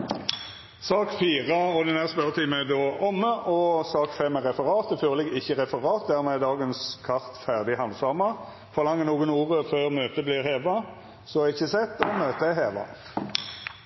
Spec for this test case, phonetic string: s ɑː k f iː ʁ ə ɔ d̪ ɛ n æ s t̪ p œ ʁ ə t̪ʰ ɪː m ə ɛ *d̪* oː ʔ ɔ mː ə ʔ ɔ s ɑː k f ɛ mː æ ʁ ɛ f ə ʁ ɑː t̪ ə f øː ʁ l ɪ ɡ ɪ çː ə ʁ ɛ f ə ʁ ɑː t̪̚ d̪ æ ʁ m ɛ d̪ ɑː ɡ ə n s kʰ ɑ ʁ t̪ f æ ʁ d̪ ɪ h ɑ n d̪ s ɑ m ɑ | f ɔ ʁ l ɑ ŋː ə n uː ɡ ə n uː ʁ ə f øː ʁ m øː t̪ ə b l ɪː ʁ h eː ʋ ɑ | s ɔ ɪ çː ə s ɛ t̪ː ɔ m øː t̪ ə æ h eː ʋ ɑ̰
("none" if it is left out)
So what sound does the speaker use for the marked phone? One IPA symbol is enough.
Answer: d̪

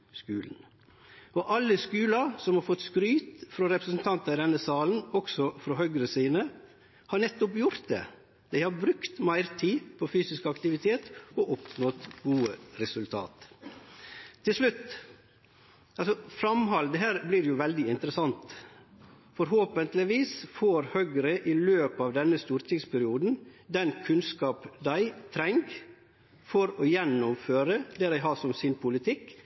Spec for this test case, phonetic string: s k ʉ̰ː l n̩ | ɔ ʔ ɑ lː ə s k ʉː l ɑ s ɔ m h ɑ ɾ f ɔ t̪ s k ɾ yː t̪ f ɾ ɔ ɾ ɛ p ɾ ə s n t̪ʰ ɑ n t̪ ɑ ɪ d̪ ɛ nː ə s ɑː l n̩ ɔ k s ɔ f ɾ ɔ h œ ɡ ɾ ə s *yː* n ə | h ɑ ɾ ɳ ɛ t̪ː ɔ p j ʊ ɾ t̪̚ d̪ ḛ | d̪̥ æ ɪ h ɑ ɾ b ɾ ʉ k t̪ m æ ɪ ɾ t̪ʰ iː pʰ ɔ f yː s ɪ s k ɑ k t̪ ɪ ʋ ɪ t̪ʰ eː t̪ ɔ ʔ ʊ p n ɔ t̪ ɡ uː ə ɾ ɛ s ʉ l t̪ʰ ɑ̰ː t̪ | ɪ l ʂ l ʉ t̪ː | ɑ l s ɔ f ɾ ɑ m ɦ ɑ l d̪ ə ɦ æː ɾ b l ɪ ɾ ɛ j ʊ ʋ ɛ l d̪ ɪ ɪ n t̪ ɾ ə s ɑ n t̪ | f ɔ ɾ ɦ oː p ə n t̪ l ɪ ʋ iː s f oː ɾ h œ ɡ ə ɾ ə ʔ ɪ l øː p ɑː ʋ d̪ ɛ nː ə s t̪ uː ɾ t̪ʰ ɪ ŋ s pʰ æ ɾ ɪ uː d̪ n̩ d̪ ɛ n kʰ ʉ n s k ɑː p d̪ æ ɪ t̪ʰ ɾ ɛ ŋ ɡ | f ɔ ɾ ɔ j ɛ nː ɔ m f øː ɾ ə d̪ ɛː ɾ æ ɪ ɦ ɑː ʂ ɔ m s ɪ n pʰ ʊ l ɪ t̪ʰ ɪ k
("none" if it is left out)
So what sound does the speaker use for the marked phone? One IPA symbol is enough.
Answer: iː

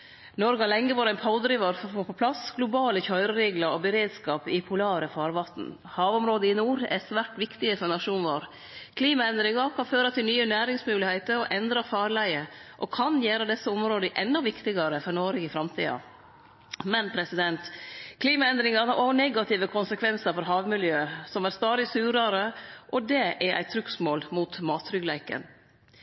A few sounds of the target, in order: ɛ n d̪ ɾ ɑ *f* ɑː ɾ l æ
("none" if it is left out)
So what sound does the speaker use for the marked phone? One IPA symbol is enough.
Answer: f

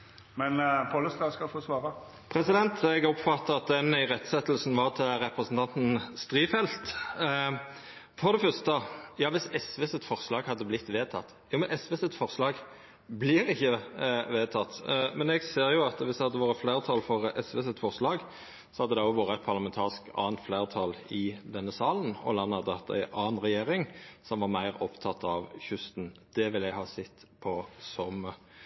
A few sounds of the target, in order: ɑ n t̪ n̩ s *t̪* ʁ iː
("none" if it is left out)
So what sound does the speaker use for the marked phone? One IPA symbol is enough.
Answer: t̪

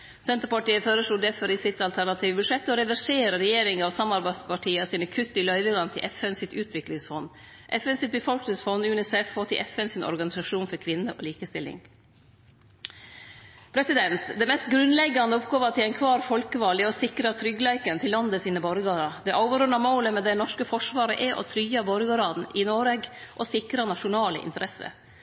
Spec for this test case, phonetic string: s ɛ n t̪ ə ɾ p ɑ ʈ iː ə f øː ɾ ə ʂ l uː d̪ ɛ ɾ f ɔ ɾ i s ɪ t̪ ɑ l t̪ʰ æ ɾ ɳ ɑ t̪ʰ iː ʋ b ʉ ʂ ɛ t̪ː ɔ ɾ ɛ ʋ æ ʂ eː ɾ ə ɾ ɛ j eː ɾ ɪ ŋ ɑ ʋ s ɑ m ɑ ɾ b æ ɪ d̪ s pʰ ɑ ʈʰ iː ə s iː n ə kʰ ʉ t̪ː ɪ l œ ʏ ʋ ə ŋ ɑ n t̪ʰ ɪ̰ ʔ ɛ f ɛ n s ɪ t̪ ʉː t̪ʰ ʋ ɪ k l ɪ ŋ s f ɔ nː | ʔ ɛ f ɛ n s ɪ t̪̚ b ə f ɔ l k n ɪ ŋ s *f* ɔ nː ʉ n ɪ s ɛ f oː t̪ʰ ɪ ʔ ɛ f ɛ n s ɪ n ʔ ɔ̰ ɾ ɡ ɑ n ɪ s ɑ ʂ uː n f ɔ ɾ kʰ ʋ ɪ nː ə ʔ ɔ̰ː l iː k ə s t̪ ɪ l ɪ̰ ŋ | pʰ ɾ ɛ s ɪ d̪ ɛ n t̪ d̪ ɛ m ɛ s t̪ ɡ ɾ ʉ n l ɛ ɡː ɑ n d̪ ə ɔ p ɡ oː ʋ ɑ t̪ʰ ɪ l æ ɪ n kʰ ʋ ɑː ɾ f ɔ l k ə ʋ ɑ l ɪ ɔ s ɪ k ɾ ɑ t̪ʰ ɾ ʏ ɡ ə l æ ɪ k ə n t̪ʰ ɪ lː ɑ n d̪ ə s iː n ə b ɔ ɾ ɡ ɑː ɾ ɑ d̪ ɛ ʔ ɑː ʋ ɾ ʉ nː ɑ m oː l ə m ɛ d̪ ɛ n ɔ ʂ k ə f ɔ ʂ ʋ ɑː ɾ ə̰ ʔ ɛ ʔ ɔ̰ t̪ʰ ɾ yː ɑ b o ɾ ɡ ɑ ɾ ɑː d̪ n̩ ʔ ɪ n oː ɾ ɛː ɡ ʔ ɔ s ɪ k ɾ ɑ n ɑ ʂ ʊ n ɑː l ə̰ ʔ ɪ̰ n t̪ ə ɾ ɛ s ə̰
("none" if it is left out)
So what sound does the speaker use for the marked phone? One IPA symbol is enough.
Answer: f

